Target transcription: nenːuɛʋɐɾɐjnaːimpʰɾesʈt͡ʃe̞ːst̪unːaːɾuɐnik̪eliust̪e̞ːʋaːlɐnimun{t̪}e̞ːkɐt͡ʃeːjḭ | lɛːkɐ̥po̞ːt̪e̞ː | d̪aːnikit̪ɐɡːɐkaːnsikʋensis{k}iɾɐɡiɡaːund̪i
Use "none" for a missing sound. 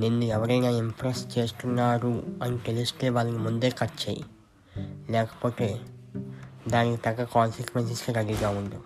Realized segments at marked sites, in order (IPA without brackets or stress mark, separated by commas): d̪, k